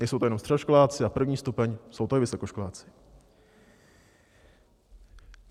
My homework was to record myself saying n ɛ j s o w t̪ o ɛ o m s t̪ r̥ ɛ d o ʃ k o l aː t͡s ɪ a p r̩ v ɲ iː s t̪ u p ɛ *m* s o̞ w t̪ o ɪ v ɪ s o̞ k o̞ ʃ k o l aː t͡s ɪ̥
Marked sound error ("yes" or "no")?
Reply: yes